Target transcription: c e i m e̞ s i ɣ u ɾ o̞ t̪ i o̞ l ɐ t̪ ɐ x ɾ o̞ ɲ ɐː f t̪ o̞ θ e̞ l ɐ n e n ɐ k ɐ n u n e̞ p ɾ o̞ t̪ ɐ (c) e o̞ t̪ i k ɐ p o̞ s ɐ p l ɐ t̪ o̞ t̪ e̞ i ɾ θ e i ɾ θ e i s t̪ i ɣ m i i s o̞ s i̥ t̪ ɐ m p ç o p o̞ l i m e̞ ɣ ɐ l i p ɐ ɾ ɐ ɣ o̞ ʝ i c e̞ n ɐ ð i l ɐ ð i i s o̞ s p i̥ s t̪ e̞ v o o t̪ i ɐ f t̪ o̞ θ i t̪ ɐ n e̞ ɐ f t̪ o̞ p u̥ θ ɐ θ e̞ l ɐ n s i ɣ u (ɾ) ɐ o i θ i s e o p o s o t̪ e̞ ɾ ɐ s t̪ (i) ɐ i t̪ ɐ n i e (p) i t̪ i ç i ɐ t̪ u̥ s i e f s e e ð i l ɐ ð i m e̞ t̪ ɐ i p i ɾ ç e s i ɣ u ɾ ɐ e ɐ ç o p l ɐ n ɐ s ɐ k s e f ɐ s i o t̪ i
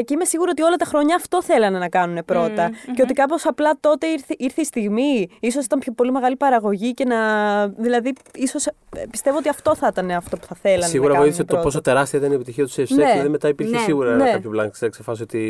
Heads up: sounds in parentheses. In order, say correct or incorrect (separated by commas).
correct, correct, correct, correct